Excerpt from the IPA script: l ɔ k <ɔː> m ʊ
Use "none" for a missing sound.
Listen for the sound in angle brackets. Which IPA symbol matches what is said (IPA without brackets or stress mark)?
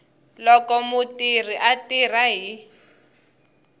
ɔ